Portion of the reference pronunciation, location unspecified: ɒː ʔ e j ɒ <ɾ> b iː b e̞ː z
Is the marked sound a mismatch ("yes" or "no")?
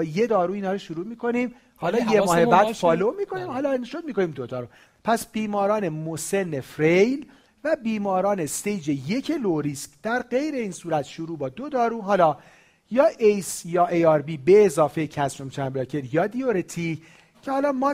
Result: no